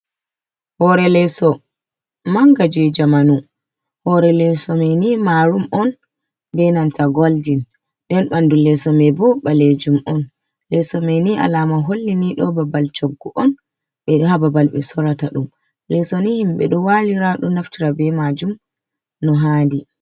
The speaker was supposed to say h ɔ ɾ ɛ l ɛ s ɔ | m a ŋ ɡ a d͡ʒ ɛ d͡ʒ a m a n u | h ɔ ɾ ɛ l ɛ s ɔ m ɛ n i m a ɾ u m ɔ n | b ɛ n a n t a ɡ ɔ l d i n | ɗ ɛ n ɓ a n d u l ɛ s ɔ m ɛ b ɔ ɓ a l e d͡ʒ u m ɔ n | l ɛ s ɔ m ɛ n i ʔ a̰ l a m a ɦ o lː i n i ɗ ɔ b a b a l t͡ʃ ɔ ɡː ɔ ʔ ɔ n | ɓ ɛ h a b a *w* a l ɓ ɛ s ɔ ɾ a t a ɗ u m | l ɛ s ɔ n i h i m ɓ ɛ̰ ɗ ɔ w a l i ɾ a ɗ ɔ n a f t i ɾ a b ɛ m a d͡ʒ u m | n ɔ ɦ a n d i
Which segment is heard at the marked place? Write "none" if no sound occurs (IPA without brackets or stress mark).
b